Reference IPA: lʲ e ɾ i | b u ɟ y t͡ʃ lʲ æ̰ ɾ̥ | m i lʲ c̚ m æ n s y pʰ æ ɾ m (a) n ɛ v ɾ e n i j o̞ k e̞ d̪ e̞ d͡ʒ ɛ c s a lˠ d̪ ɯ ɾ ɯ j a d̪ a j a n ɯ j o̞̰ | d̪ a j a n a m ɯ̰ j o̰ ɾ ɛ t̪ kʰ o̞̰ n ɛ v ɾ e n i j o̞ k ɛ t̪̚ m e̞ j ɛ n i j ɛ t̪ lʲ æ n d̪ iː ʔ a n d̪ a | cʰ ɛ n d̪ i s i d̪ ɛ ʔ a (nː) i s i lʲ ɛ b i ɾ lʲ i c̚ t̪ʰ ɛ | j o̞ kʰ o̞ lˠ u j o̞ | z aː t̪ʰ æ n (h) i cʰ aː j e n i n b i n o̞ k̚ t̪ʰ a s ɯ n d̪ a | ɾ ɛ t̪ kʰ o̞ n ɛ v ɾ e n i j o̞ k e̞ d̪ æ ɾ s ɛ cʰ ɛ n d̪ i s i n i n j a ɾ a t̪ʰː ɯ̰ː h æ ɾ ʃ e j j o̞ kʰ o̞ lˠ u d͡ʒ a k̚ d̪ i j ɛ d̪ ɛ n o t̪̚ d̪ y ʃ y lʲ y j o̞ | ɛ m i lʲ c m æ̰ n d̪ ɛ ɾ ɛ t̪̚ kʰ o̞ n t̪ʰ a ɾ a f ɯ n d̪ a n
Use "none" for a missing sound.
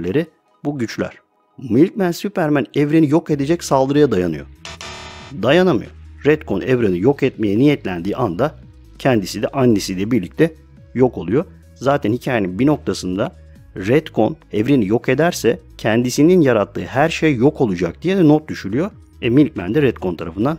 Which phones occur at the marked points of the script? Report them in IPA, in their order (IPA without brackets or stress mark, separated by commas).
æ, nː, h